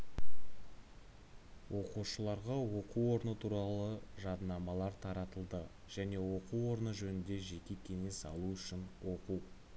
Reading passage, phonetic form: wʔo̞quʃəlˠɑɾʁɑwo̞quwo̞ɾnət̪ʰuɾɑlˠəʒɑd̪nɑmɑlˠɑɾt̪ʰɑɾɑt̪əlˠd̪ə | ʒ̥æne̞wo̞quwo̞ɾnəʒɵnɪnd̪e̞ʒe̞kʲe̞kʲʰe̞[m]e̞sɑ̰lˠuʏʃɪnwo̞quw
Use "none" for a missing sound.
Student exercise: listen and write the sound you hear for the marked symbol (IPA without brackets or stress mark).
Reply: ŋ